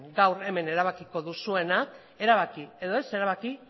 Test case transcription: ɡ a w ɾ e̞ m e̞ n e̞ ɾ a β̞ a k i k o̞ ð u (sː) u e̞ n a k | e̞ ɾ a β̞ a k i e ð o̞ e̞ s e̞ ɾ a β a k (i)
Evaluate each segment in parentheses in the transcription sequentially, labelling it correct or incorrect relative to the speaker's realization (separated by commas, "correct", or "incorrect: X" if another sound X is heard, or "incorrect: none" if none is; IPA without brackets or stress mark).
incorrect: s, correct